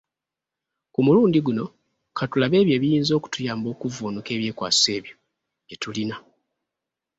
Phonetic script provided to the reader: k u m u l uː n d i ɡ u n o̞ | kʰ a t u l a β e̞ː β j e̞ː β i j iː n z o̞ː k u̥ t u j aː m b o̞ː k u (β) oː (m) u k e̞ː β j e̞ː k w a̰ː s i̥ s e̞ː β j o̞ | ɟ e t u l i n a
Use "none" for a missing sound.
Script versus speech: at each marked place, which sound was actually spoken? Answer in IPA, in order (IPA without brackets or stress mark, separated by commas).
v, n